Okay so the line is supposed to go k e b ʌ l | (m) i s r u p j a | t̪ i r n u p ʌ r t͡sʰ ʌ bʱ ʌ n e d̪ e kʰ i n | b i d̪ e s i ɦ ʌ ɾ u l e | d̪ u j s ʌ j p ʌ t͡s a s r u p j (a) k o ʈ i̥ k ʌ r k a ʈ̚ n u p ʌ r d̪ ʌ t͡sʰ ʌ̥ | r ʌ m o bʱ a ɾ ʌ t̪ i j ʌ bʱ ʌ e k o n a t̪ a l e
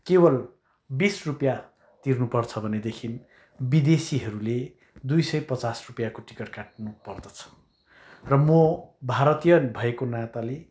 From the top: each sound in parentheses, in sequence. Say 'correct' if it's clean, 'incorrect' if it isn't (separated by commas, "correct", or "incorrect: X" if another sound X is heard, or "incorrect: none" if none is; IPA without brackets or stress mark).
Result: incorrect: b, correct